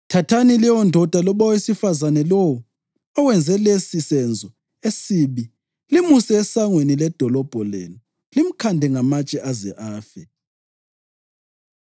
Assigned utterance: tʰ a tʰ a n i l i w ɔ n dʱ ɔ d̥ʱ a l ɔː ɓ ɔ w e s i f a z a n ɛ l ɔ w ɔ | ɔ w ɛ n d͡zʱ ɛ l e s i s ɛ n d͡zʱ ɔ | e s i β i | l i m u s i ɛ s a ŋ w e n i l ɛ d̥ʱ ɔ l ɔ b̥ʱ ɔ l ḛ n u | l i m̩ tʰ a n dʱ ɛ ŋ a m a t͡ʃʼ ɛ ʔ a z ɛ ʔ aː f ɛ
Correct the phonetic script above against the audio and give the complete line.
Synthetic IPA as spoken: tʰ a tʰ a n i l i w ɔ n dʱ ɔ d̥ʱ a l ɔ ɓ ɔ w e s i f a z a n ɛ l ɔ w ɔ | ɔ w ɛ n d͡zʱ ɛ l e s i s ɛ n d͡zʱ ɔ | e s i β i | l i m u s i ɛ s a ŋ w e n i l ɛ d̥ʱ ɔ l ɔ b̥ʱ ɔ l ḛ n u | l i m̩ kʰ a n dʱ ɛ ŋ a m a t͡ʃʼ ɛ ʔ a z ɛ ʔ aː f ɛ